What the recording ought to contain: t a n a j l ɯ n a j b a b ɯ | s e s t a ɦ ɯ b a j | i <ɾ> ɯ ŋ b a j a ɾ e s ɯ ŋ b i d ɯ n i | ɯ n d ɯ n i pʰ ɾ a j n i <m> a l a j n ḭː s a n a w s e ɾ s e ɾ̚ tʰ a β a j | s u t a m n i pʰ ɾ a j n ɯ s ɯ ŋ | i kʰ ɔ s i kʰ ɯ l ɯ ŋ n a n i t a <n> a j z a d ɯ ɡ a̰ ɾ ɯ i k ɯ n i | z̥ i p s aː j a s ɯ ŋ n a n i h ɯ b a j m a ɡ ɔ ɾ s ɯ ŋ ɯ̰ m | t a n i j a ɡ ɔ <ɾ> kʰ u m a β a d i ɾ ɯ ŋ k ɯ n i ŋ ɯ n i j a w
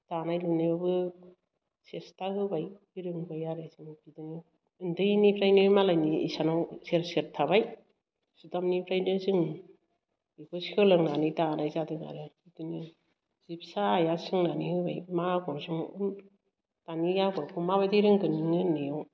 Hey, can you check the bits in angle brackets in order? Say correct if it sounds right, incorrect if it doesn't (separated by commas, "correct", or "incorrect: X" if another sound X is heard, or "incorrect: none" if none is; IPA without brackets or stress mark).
correct, correct, correct, correct